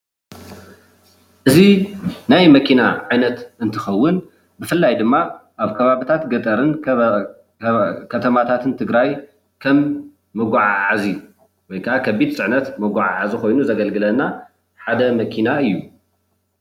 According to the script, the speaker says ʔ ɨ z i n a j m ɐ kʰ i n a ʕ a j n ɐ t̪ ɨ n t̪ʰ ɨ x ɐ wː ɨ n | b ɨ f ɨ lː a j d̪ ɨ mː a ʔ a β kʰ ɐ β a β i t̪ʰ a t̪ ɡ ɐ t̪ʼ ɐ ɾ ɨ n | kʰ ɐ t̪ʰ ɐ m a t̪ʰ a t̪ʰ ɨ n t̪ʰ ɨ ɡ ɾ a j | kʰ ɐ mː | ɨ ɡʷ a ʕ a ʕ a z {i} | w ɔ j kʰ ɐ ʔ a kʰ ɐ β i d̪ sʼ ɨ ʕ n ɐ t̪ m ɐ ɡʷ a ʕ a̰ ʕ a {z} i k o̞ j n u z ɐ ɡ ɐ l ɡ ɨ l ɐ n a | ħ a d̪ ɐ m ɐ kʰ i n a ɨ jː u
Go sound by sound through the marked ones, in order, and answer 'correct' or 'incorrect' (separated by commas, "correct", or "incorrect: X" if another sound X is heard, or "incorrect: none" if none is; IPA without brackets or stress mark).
correct, correct